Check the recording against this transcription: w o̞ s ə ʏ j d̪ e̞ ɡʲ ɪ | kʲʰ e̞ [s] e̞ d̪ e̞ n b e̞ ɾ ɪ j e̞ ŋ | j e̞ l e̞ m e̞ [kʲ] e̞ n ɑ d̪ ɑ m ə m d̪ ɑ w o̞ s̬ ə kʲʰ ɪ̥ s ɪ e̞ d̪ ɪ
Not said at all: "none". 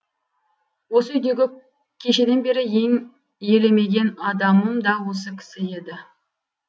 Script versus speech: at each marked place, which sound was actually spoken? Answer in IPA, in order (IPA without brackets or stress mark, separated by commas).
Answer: ʃ, ɡʲ